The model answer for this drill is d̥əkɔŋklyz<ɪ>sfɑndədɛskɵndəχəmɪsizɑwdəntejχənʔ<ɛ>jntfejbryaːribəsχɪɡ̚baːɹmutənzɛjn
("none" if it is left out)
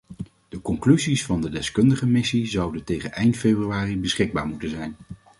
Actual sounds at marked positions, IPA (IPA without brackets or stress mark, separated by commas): i, ɛ